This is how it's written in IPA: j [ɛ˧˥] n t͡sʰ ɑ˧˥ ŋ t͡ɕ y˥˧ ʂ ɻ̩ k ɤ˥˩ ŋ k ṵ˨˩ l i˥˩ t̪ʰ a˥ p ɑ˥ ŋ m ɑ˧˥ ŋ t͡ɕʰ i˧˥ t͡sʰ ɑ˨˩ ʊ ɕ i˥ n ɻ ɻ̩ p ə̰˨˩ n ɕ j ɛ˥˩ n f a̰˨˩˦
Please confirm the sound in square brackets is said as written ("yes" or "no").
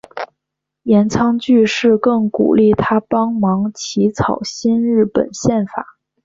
yes